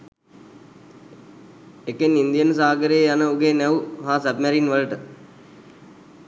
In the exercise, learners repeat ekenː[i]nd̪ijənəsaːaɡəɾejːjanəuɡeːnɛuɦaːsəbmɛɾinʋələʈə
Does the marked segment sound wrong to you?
no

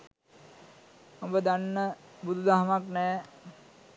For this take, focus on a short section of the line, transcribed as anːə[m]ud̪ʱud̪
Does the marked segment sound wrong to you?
yes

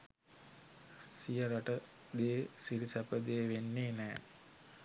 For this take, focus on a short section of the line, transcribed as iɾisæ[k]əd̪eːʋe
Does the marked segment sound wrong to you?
yes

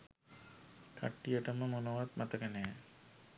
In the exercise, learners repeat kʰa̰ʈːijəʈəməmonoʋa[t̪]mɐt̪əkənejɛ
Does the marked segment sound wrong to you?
no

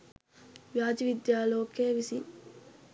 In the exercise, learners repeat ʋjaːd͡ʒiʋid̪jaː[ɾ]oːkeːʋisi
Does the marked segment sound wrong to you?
yes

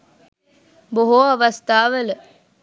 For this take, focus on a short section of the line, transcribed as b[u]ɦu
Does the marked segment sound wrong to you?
yes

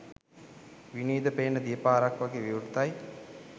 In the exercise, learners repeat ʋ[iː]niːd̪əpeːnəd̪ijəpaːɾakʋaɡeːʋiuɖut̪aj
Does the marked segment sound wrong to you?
yes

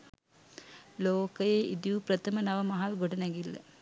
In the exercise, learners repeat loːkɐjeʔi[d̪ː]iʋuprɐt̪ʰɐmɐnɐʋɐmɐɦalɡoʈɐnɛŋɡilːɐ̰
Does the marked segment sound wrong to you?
yes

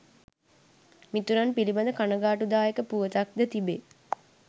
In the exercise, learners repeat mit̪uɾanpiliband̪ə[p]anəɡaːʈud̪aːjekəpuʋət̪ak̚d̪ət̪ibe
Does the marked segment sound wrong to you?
yes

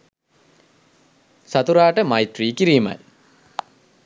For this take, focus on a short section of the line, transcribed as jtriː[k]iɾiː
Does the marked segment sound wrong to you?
no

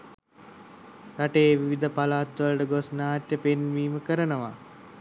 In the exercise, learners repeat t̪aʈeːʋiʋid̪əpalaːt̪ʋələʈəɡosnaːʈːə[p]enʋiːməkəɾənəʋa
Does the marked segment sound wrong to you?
no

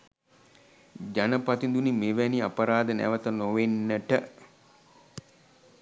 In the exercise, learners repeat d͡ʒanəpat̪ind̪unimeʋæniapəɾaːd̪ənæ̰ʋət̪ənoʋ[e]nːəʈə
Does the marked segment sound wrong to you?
no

